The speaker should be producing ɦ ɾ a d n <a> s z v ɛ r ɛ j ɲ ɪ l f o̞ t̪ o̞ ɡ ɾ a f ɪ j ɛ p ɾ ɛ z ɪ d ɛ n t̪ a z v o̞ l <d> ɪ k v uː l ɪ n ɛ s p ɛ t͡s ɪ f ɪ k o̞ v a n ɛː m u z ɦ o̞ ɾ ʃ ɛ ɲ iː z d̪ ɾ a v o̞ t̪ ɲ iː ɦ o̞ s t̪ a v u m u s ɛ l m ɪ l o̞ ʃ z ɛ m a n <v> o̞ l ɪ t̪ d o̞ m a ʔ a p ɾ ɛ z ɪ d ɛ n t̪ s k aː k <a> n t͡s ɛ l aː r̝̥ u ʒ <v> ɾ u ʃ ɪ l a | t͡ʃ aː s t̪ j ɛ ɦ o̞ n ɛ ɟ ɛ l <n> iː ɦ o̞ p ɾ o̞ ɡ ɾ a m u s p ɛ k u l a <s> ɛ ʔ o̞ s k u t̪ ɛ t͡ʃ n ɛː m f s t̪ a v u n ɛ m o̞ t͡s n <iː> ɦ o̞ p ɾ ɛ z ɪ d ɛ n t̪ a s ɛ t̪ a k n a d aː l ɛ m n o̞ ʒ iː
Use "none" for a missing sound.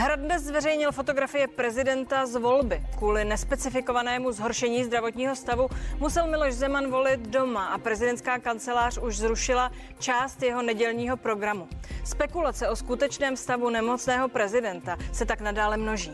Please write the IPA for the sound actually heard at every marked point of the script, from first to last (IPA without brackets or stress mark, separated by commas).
ɛ, b, v, a, z, ɲ, t͡s, ɛː